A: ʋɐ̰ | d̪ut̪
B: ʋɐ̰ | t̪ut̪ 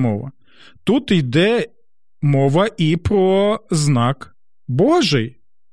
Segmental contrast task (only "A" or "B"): B